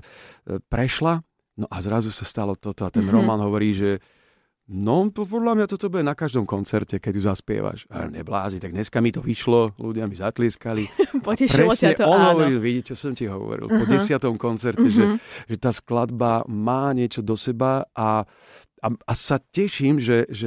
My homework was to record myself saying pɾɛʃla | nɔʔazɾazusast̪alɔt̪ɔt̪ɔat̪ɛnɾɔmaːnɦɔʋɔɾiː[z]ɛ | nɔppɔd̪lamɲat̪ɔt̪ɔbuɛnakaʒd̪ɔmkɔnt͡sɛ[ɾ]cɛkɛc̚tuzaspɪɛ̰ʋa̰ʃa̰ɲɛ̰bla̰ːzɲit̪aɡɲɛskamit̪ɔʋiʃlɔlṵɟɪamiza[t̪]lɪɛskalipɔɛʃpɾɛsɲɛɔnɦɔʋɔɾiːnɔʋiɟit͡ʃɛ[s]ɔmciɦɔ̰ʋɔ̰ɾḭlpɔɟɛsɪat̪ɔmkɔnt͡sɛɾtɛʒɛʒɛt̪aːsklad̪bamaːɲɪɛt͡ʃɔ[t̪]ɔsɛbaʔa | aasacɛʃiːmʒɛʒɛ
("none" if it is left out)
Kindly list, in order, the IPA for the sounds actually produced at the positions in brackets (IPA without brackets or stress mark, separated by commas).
ʒ, ɾ, t̪, s, d̪